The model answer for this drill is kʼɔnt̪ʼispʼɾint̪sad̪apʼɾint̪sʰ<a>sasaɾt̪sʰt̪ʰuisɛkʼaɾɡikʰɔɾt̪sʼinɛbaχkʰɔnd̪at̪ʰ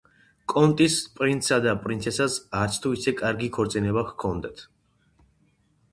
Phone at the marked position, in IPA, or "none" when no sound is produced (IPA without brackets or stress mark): ɛ